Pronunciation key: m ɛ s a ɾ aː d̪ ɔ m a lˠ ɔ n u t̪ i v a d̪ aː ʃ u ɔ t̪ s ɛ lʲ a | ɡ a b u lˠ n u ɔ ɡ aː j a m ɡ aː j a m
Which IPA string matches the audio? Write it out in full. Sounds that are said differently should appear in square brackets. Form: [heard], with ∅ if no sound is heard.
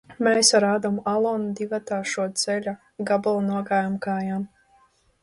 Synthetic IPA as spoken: m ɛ s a ɾ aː d̪ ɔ m a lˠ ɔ n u [d̪] i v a [t̪] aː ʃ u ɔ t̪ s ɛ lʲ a | ɡ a b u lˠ n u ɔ ɡ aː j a m [k] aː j a m